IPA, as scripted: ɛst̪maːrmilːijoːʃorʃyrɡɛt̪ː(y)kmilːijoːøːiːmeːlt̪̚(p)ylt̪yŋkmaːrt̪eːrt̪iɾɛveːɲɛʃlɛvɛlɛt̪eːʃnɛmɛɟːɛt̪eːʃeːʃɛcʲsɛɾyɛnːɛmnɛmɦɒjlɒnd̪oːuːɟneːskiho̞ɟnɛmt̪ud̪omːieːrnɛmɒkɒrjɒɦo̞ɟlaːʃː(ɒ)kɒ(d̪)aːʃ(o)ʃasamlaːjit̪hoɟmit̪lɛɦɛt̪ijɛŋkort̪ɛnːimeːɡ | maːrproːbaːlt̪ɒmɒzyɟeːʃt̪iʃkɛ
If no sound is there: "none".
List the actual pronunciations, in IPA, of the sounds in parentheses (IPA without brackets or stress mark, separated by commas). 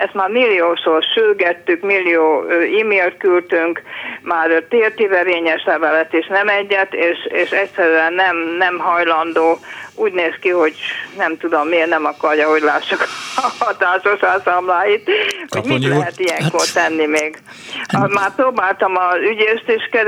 y, k, u, t̪, o